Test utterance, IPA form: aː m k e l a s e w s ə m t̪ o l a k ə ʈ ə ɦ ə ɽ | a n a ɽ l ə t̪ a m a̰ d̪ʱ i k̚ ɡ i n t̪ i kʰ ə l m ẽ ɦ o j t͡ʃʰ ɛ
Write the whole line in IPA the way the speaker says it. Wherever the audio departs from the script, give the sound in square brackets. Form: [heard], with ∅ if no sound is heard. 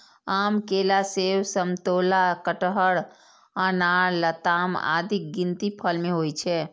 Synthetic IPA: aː m k e l a s e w s ə m t̪ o l a k ə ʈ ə ɦ ə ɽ | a n a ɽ l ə t̪ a m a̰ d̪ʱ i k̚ ɡ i n t̪ i [pʰ] ə l m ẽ ɦ o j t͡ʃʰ ɛ